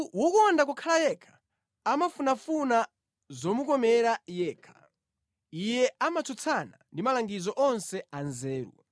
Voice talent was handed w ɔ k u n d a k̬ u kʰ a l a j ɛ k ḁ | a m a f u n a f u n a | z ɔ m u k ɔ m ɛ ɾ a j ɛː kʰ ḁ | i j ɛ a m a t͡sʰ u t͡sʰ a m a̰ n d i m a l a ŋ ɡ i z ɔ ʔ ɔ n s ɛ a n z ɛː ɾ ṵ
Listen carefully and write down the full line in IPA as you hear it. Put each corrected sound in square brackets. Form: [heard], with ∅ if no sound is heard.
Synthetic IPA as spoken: w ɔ k [ɔ] n d a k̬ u kʰ a l a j ɛ [kʰ] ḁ | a m a f u n a f u n a | z ɔ m u k ɔ m ɛ ɾ a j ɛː kʰ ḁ | i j ɛ a m a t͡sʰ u t͡sʰ a [n] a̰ n d i m a l a ŋ ɡ i z ɔ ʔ ɔ n s ɛ a n z ɛː ɾ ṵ